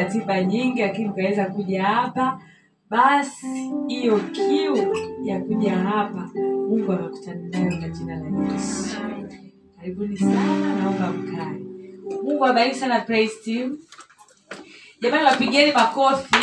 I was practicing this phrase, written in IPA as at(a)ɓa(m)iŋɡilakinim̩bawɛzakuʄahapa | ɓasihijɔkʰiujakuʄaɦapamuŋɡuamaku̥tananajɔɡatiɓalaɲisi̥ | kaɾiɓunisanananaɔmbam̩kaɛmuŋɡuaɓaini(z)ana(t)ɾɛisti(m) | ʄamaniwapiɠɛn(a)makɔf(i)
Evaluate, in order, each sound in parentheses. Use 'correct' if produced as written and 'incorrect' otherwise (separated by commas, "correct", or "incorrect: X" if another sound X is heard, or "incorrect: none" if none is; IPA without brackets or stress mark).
incorrect: i, incorrect: ɲ, incorrect: s, incorrect: p, correct, incorrect: i, correct